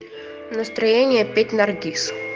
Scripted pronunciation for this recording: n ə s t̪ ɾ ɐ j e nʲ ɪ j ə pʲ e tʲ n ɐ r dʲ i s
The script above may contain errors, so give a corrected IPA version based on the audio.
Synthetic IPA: n ə s t̪ ɾ ɐ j e nʲ ɪ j ə pʲ e tʲ n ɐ r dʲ i s